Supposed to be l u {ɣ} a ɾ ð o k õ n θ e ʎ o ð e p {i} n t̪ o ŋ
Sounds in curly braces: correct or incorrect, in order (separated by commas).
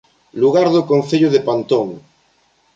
correct, incorrect